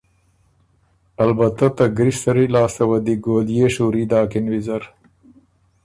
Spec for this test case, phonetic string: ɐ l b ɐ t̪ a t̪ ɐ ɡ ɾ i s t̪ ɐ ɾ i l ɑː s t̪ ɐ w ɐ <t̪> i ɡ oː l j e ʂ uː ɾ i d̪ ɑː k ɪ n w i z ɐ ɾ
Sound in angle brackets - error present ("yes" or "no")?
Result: yes